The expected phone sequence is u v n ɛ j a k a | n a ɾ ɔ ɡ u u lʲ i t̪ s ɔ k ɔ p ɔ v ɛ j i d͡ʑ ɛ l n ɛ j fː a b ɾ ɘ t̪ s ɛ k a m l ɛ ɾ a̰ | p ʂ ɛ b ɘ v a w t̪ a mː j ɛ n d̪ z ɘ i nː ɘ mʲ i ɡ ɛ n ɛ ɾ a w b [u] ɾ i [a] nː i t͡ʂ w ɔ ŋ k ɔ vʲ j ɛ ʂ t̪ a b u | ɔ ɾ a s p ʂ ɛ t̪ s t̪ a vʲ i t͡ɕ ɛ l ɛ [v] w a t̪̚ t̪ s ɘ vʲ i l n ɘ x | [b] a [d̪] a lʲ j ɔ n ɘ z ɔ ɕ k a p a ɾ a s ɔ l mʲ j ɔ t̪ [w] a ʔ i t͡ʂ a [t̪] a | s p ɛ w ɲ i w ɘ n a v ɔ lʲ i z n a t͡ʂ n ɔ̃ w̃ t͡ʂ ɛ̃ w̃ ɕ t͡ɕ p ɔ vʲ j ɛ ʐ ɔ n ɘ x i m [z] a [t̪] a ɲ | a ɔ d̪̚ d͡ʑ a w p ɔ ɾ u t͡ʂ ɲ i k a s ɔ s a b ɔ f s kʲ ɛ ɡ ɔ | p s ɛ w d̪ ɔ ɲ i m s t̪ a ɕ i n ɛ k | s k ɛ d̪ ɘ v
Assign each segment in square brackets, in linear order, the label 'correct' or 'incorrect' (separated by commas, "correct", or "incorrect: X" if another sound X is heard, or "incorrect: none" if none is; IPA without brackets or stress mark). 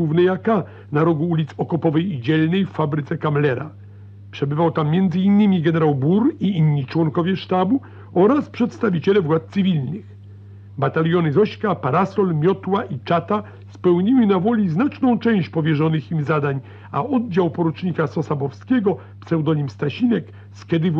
correct, incorrect: i, correct, correct, incorrect: t̪, correct, correct, correct, incorrect: d̪